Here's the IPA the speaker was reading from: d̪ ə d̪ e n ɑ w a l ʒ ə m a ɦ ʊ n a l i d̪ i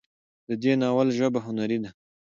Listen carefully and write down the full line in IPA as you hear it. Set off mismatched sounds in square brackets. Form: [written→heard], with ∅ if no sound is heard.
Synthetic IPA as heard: d̪ ə d̪ e n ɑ w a l ʒ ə [m→b] a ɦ ʊ n a [l→ɾ] i d̪ [i→a]